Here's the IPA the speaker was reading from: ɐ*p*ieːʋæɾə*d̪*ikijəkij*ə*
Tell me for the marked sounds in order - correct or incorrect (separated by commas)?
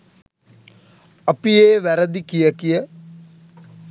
correct, correct, correct